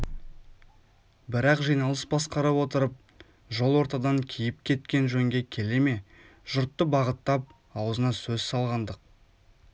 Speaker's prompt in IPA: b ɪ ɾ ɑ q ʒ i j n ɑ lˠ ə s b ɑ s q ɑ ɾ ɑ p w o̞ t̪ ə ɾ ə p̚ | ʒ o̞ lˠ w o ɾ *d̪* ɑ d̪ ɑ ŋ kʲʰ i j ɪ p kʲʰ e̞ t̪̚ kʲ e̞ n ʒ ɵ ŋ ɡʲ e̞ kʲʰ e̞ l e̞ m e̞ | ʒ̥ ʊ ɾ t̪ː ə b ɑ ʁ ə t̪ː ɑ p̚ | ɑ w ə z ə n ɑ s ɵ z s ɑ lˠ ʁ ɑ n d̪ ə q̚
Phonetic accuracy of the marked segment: incorrect: t̪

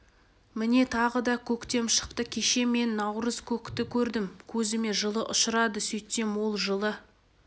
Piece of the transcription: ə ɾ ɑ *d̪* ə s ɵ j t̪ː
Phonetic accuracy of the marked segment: correct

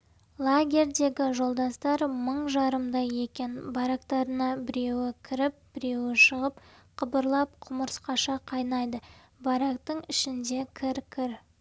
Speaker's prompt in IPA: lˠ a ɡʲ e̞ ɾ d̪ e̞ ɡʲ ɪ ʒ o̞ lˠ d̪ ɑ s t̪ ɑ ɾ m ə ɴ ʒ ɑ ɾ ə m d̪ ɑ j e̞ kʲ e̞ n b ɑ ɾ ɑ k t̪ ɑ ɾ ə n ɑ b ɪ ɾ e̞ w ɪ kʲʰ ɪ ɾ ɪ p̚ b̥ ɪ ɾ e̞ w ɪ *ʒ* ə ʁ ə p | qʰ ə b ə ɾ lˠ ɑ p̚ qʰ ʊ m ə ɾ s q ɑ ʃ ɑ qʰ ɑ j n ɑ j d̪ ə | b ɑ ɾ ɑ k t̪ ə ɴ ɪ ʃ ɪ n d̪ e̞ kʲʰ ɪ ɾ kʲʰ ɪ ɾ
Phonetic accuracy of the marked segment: incorrect: ʃ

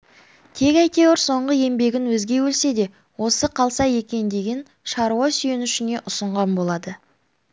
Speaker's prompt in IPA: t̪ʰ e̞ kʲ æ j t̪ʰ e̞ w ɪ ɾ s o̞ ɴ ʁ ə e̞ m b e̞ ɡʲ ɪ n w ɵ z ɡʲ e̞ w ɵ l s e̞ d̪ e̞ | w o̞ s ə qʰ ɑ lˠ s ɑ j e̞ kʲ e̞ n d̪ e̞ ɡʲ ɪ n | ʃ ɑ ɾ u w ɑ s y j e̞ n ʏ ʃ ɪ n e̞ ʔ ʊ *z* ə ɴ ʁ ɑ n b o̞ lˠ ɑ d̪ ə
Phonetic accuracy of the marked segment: incorrect: s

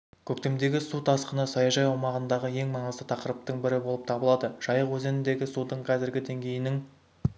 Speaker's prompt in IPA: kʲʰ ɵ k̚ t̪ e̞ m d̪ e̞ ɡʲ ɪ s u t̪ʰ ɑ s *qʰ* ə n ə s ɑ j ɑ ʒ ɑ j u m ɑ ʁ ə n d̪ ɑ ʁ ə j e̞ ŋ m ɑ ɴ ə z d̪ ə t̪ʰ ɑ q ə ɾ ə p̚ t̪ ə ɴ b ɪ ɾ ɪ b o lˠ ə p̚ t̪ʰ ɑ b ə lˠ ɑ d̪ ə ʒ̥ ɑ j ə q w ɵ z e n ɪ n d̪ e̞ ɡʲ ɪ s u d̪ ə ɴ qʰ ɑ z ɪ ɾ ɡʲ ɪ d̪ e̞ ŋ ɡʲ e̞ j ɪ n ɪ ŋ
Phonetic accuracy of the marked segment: incorrect: q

